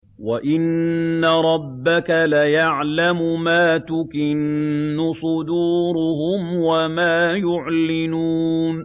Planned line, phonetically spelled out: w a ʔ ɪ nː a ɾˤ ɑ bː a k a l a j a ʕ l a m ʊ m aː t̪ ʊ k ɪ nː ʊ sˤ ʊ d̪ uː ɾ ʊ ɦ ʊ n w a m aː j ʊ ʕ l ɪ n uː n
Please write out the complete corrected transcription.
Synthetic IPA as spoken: w a ʔ ɪ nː a ɾˤ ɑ bː a k a l a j a ʕ l a m ʊ m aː t̪ ʊ k ɪ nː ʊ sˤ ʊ d̪ uː ɾ ʊ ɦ ʊ m w a m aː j ʊ ʕ l ɪ n uː n